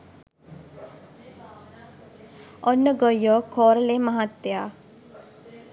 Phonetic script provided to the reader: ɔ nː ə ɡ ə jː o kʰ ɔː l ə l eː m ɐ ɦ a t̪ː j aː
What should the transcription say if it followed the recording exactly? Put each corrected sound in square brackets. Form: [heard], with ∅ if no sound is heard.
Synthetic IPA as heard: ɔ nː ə ɡ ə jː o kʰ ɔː [ɾ] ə l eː m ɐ ɦ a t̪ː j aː